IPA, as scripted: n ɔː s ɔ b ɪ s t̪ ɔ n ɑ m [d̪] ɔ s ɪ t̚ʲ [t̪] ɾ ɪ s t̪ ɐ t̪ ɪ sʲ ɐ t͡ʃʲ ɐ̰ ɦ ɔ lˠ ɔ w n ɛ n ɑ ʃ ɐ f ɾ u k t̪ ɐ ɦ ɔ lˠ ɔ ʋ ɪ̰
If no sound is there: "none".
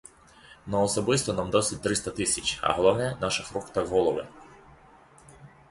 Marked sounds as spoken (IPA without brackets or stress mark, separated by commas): d̪, t̪